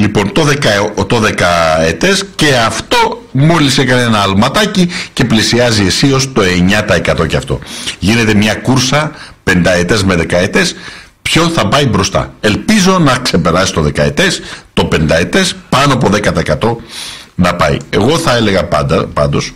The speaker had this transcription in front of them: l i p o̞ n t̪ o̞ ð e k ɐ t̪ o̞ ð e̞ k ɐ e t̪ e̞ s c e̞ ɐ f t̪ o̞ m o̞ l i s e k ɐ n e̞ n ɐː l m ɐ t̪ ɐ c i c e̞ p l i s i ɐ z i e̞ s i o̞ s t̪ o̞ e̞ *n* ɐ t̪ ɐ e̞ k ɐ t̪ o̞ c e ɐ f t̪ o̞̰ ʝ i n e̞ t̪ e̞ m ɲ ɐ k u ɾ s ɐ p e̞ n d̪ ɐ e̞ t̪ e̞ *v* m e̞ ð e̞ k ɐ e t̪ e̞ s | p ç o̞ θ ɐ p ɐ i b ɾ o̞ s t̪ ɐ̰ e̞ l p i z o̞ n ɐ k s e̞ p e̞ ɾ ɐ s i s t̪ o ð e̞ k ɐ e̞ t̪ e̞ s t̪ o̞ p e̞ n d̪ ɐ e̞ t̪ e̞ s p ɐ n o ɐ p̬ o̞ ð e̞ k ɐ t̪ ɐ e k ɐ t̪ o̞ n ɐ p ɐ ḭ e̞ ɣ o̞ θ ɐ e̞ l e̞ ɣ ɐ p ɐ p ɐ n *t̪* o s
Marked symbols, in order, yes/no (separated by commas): no, no, no